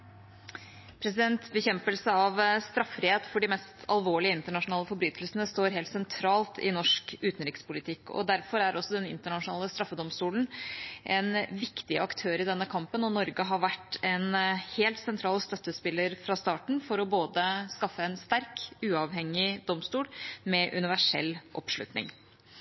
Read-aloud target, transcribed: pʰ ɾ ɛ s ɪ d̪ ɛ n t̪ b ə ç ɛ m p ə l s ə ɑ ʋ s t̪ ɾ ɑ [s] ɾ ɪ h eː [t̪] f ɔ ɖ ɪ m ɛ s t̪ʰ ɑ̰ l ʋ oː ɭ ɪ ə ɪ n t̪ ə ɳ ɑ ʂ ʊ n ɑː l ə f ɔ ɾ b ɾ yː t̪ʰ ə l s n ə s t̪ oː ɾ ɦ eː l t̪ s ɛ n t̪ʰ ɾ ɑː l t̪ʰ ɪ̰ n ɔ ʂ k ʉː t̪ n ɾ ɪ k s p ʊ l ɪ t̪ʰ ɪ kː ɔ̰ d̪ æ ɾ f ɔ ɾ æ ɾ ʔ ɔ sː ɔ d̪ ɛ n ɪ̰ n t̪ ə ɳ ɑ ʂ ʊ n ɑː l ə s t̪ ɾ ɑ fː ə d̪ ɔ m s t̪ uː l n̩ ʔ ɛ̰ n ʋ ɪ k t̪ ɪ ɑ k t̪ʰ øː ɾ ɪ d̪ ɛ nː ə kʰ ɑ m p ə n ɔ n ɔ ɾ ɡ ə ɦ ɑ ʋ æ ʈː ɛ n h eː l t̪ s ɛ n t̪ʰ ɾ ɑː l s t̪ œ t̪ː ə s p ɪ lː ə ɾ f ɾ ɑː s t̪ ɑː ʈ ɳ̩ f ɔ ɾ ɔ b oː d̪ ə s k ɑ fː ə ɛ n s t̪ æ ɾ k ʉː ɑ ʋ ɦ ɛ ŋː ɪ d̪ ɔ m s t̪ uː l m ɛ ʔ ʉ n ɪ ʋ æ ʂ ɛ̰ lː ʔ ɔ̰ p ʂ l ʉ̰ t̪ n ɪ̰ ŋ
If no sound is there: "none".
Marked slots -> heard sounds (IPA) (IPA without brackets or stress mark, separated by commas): f, t̪